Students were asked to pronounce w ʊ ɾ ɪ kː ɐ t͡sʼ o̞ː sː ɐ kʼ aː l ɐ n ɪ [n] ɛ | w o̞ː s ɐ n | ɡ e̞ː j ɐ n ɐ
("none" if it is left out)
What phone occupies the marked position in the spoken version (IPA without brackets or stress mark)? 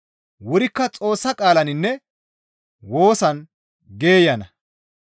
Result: nː